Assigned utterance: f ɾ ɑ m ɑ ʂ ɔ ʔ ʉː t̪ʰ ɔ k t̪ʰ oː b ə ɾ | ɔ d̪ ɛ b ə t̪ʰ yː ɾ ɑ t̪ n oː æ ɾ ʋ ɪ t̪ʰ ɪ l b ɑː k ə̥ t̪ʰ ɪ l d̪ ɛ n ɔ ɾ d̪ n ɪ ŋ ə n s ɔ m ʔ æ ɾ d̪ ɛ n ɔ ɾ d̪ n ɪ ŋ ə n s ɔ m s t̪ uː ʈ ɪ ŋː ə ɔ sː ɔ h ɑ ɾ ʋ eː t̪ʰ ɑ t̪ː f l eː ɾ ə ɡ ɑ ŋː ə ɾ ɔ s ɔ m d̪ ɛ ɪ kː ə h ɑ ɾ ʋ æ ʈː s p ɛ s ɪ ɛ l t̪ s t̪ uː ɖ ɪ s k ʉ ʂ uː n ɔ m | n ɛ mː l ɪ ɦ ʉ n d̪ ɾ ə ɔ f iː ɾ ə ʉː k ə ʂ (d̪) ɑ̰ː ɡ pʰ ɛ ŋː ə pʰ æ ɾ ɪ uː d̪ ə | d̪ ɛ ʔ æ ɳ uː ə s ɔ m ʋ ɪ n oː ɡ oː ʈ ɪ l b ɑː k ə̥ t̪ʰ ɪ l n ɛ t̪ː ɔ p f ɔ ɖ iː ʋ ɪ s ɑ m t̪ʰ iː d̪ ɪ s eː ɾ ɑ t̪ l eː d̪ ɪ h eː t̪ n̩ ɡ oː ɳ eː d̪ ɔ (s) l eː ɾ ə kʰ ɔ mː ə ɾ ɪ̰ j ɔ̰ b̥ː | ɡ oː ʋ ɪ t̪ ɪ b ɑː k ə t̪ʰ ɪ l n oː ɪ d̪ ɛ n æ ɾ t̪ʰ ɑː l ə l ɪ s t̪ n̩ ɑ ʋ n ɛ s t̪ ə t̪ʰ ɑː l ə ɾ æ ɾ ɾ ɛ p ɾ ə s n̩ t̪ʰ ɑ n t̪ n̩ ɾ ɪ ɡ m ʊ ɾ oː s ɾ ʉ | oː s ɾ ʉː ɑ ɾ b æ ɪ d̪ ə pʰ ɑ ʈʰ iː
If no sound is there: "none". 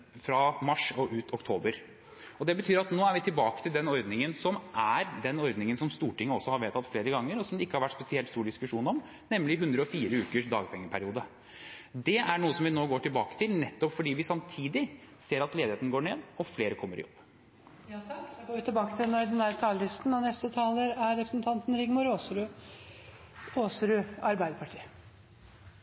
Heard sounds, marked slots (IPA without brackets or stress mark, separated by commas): d̪, f